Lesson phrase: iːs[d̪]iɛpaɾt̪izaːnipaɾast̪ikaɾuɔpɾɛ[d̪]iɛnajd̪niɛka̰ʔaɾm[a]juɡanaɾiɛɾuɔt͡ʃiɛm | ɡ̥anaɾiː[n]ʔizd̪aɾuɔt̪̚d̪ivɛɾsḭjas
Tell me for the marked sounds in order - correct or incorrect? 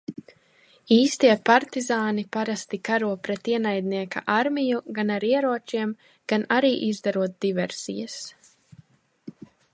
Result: incorrect, incorrect, incorrect, incorrect

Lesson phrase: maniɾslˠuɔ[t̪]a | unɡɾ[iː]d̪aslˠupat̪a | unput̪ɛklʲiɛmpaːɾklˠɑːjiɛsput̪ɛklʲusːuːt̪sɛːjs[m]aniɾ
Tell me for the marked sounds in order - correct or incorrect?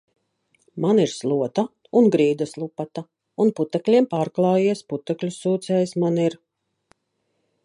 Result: correct, correct, correct

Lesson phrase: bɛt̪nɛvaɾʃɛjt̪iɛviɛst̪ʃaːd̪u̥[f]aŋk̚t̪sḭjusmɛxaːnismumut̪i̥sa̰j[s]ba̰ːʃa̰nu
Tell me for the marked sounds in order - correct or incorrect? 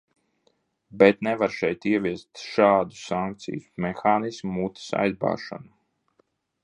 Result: incorrect, incorrect

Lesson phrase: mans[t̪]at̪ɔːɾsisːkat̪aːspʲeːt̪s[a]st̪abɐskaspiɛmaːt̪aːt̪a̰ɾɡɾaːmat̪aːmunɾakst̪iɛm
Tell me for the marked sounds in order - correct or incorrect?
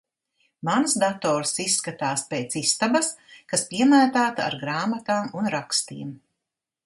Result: incorrect, incorrect

